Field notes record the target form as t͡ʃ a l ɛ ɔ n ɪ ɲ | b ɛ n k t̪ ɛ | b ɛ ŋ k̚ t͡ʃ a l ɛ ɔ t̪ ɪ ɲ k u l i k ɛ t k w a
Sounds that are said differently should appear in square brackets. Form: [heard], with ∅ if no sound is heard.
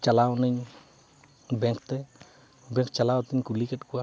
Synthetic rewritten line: t͡ʃ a l [a] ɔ n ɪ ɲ | b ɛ [ŋ] k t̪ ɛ | b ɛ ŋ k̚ t͡ʃ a l [a] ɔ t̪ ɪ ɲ k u l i k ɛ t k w a